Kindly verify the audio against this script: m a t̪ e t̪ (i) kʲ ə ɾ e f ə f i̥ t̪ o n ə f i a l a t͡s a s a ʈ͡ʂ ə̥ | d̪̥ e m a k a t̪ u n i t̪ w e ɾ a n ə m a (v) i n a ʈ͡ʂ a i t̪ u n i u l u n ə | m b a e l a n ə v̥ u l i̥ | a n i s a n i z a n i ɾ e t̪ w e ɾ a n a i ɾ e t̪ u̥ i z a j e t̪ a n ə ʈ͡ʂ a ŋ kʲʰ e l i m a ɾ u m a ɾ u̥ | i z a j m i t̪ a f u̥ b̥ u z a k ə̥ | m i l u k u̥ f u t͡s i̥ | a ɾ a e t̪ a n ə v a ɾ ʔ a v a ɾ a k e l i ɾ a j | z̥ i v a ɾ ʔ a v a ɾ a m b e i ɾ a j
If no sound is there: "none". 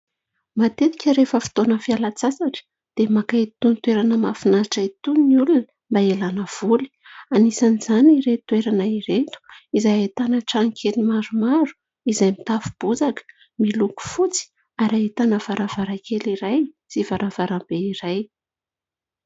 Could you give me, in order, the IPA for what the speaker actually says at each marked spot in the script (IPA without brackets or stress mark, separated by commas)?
i, f